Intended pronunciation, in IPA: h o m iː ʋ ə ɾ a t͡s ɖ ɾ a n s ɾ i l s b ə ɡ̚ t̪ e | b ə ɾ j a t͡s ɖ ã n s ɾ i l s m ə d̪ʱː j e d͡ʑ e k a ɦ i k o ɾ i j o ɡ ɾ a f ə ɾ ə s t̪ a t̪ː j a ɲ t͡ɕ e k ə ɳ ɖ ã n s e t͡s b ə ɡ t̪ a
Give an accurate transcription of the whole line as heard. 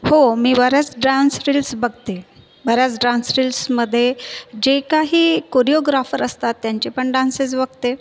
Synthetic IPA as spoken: h o m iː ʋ ə ɾ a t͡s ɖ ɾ a n s ɾ i l s b ə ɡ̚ t̪ e | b ə ɾ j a t͡s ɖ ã n s ɾ i l s m ə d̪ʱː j e d͡ʑ e k a ɦ iː k o ɾ i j o ɡ ɾ a f ə ɾ ə s t̪ a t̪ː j a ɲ t͡ɕ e p ə ɳ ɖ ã n s e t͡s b ə ɡ t̪ e